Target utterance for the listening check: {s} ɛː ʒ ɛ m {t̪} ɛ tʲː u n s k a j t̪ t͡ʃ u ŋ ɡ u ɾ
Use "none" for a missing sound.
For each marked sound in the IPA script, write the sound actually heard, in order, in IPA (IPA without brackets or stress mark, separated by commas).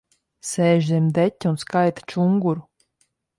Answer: s, d̪